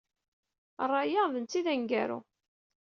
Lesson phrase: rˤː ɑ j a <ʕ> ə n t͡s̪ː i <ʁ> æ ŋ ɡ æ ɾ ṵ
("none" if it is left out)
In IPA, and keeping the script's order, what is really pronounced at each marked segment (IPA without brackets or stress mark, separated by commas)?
ð, ð